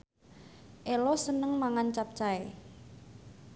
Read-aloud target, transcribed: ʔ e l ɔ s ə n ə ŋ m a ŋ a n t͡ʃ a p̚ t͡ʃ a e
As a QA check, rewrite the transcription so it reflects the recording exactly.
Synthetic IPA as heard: ʔ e l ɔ s ə n ə ŋ m a ŋ a n t͡ʃ a p̚ t͡ʃ a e

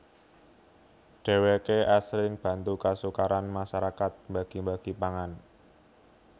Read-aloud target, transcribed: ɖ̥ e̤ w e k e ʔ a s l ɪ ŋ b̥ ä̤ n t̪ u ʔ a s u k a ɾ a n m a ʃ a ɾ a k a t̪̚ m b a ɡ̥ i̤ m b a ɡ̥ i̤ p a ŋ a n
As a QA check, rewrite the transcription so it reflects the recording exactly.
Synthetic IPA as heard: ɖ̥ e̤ w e k e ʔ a s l ɪ ŋ b̥ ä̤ n t̪ u k a s u k a ɾ a n m a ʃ a ɾ a k a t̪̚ m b a ɡ̥ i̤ m b a ɡ̥ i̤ p a ŋ a n

